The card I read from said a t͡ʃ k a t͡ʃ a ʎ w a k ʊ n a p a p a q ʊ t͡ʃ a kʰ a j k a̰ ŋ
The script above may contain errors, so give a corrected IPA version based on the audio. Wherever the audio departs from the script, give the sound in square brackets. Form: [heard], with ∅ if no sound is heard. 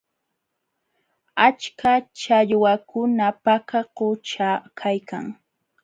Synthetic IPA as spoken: a t͡ʃ k a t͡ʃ a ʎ w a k ʊ n a p a [k] a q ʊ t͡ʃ a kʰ a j k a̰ ŋ

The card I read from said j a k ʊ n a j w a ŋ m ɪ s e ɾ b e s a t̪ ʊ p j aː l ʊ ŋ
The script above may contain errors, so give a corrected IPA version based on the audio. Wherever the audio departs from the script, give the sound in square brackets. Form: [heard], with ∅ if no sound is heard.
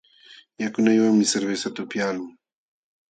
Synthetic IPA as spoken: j a k ʊ n a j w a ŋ m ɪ s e ɾ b e s a t̪ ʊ p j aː l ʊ ŋ

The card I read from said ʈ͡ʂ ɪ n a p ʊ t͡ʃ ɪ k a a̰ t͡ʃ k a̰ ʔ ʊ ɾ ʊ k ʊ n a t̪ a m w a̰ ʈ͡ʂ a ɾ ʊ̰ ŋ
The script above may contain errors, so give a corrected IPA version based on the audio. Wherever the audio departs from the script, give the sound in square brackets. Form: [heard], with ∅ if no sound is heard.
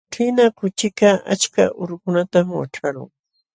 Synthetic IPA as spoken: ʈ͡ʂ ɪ n a [k] ʊ t͡ʃ ɪ k a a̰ t͡ʃ k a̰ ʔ ʊ ɾ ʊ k ʊ n a t̪ a m w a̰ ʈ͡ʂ a ɾ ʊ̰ ŋ

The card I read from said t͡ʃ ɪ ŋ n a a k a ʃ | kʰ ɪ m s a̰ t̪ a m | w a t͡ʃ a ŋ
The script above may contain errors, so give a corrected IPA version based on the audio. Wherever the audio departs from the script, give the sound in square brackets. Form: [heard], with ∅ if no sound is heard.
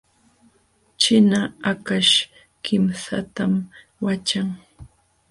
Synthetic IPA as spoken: t͡ʃ ɪ [∅] n a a k a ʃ | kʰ ɪ m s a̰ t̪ a m | w a t͡ʃ a ŋ

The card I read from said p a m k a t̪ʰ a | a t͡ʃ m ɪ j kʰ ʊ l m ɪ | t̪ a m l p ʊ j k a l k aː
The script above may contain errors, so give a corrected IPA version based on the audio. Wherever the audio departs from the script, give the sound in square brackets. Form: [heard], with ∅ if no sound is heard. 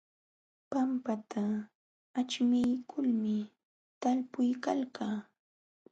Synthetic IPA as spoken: p a m [p] a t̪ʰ a | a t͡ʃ m ɪ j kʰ ʊ l m ɪ | t̪ a [∅] l p ʊ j k a l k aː

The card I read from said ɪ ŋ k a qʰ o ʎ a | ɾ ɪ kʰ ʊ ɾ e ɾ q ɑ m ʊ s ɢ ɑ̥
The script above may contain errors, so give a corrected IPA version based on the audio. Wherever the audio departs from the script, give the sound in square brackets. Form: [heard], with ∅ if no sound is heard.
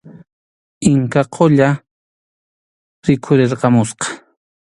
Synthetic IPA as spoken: ɪ ŋ k a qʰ o ʎ a | ɾ ɪ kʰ ʊ ɾ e ɾ q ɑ m ʊ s [q] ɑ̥

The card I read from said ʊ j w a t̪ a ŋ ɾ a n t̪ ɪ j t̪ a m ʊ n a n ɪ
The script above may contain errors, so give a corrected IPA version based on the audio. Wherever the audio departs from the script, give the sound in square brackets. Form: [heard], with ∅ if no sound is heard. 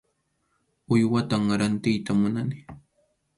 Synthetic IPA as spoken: ʊ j w a t̪ a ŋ ɾ a n t̪ ɪ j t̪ a m ʊ n a n ɪ

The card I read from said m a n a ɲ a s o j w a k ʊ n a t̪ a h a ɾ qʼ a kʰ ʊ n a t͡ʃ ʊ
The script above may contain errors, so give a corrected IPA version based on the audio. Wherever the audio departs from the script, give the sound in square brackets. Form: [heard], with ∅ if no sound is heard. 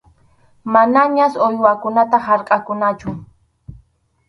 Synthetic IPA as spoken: m a n a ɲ a s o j w a k ʊ n a t̪ a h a ɾ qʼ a [k] ʊ n a t͡ʃ ʊ

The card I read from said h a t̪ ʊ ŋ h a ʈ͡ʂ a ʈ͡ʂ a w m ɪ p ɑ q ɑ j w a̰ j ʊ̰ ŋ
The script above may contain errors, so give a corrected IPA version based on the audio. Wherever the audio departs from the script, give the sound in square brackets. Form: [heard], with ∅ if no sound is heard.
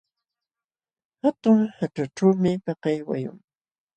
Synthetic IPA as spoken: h a t̪ ʊ ŋ h a ʈ͡ʂ a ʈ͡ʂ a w m ɪ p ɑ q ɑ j w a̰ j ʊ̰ ŋ

